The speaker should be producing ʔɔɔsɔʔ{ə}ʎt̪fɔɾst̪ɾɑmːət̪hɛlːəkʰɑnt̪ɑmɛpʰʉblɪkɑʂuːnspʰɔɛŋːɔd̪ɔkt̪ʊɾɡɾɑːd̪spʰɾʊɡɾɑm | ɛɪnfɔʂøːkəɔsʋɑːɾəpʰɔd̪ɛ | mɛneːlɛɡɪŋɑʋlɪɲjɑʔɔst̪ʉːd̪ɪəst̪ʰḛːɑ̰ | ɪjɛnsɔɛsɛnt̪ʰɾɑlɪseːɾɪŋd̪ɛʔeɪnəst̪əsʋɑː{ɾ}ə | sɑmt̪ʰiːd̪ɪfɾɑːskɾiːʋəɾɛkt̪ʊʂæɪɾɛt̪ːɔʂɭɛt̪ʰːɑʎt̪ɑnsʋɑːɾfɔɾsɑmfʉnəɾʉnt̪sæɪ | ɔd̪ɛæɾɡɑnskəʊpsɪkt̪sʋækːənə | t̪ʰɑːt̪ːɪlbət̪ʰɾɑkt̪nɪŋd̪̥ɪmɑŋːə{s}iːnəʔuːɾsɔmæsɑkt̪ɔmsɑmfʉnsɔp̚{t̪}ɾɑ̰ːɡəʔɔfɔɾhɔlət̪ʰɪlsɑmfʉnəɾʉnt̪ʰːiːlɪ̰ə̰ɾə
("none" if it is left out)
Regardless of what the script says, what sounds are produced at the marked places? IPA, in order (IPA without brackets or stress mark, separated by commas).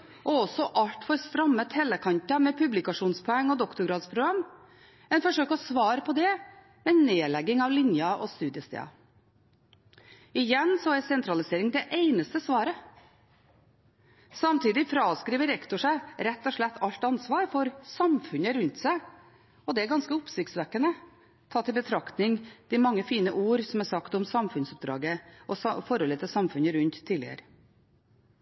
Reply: ɑ, ɾ, f, d̪